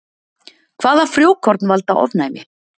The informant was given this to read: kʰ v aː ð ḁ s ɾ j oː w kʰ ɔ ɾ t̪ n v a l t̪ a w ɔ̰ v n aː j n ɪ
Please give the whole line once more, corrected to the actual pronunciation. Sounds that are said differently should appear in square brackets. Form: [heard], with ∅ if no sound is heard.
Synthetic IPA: kʰ v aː ð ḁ [f] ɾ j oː w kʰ ɔ ɾ t̪ n v a l t̪ a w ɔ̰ v n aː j [m] ɪ